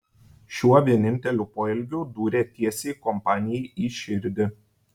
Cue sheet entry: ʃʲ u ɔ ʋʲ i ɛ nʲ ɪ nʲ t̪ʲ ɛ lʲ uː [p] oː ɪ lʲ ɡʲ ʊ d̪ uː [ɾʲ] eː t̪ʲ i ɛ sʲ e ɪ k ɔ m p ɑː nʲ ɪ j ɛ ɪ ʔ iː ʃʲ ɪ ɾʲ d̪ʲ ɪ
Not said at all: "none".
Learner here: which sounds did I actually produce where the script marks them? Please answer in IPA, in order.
p, ɾʲ

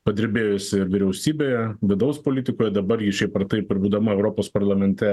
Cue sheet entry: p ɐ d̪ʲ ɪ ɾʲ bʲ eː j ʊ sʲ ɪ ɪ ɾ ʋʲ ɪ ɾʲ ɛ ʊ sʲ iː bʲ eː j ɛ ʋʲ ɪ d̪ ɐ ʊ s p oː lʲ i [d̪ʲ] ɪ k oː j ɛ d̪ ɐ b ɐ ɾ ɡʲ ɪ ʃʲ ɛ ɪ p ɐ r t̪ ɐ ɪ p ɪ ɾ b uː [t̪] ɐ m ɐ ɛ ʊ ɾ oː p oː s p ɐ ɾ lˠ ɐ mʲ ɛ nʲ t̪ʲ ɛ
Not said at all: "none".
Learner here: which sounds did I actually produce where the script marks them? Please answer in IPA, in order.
t̪ʲ, d̪

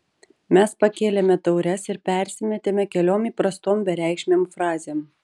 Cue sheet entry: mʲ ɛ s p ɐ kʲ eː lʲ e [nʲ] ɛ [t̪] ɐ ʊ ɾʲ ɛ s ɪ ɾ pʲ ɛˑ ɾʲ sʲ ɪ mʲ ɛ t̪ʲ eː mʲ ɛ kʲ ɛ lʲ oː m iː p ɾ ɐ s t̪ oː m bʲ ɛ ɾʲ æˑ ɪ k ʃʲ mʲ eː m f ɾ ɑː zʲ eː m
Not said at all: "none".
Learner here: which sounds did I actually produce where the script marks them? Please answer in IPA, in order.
mʲ, t̪

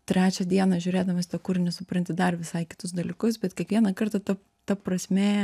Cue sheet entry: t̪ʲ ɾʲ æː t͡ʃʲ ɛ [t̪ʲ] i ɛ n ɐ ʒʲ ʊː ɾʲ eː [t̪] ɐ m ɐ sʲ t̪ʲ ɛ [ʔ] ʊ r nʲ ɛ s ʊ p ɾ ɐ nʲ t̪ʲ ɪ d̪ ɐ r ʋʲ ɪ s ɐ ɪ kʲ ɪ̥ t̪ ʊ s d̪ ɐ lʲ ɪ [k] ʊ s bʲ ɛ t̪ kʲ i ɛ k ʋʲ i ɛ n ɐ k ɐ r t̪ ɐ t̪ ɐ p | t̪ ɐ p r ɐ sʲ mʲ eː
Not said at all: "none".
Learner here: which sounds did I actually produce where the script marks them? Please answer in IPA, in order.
d̪ʲ, d̪, k, k

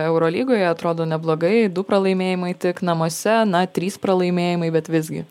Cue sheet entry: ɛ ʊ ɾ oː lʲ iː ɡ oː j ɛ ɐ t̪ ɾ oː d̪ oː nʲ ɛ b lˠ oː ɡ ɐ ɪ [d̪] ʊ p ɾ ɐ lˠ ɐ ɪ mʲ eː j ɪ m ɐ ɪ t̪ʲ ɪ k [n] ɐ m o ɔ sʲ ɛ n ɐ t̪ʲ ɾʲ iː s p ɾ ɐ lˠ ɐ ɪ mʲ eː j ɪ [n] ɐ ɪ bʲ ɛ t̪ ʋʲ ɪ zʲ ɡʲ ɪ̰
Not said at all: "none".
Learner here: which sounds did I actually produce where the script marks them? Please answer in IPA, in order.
d̪, n, m

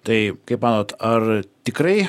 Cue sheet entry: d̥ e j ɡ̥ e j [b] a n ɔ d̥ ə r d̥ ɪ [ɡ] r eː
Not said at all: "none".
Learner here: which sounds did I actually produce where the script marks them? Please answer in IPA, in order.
b, ɡ

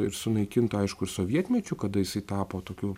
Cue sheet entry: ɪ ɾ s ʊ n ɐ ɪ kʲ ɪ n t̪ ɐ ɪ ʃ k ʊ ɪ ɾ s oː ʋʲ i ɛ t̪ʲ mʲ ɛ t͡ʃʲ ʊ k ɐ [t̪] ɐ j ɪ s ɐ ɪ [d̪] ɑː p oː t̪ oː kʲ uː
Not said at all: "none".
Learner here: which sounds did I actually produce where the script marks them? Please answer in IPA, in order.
d̪, t̪

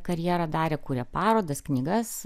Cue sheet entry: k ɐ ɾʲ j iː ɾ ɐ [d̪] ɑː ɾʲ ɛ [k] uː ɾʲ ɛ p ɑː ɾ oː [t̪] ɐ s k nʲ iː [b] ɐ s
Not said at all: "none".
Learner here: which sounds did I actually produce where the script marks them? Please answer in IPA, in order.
d̪, k, d̪, ɡ

